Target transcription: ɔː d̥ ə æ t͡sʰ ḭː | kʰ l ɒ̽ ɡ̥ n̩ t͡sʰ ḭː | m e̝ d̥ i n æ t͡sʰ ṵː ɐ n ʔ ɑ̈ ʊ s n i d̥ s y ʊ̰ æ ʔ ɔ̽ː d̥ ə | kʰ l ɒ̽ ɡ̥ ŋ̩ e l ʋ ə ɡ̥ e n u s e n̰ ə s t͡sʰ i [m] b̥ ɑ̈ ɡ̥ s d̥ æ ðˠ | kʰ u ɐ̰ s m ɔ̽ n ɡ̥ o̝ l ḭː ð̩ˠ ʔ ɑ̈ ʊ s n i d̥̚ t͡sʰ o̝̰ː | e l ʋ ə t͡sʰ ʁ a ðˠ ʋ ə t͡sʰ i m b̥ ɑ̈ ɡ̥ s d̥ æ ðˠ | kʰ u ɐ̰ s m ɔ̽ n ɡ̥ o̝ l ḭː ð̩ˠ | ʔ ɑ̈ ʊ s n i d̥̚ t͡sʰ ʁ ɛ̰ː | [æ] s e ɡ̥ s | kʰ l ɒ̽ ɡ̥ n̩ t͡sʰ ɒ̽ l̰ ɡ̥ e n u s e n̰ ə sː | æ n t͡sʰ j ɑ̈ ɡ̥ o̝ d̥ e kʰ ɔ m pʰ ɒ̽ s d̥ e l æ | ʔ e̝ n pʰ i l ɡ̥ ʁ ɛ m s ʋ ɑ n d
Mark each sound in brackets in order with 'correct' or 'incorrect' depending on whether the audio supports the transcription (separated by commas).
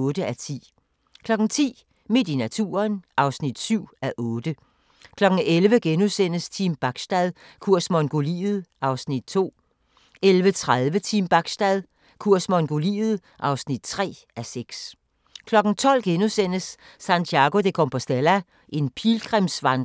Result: correct, correct